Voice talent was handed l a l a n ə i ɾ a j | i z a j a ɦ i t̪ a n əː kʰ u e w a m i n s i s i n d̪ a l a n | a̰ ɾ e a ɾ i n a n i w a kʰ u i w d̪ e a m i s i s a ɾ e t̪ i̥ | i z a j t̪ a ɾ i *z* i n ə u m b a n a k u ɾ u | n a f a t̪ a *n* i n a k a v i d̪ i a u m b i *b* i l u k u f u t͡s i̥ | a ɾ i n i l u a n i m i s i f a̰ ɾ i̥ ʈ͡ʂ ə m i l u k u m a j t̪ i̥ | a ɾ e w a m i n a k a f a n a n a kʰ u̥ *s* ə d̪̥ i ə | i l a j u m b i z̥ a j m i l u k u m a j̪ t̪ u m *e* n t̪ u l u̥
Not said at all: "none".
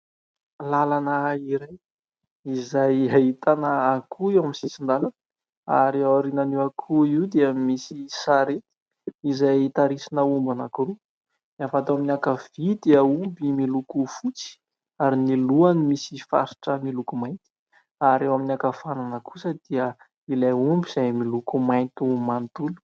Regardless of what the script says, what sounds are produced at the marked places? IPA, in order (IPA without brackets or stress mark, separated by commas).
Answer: s, m, m, s, a